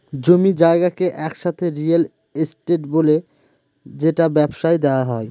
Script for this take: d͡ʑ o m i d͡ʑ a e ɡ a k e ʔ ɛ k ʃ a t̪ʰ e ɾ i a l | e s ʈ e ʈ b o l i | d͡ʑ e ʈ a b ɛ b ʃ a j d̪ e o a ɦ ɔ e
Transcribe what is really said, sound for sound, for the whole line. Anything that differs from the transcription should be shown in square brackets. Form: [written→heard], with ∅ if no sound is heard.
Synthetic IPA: d͡ʑ o m i d͡ʑ a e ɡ a k e ʔ ɛ k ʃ a t̪ʰ e ɾ i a l | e s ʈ e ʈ b o l [i→e] | d͡ʑ e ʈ a b ɛ b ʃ a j d̪ e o a ɦ ɔ e